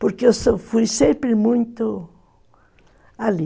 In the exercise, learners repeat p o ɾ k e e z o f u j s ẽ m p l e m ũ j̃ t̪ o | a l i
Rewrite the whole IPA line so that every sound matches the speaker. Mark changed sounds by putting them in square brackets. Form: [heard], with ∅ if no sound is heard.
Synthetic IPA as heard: p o ɾ k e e [s] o f u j s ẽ m p [ɾ] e m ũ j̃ t̪ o | a l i